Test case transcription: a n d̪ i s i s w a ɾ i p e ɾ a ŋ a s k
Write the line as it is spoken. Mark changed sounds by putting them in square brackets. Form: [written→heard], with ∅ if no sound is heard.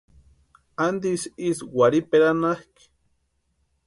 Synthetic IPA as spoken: a n d̪ i s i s w a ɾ i p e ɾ a [ŋ→n] a [s→h] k